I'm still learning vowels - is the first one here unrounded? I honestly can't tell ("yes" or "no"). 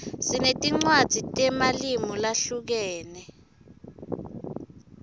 yes